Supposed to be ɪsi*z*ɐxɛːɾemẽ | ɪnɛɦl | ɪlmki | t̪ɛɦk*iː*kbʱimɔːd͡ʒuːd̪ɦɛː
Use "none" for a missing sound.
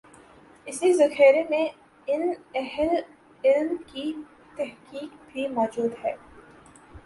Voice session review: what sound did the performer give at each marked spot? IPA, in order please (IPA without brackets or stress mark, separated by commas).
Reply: z, iː